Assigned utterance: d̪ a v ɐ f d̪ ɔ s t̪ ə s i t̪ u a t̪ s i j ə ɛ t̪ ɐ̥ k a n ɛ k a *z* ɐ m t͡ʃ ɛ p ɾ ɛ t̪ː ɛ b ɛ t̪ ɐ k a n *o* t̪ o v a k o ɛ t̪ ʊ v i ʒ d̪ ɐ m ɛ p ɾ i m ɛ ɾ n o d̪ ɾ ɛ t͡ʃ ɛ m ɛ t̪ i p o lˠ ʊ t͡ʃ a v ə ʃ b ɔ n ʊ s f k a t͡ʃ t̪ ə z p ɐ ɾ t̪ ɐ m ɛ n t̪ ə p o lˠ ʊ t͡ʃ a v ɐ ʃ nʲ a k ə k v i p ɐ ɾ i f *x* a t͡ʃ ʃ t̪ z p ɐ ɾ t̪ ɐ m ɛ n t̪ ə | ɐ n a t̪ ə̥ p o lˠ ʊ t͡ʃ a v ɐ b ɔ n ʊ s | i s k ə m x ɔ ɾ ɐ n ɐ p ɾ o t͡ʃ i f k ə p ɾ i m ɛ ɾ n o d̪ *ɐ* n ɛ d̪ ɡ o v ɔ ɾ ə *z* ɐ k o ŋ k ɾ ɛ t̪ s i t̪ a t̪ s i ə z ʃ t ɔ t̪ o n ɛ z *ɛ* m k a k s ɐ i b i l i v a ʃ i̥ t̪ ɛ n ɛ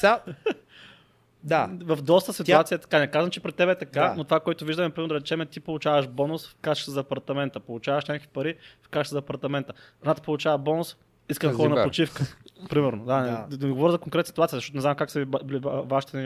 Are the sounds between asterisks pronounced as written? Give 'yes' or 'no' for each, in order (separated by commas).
yes, yes, no, no, yes, no